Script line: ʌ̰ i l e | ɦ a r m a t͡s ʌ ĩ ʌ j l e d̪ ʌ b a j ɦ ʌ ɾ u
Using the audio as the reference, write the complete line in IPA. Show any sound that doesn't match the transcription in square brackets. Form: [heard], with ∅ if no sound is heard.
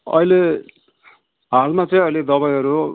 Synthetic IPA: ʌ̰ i l e | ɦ a [l] m a t͡s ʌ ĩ ʌ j l e d̪ ʌ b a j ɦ ʌ ɾ u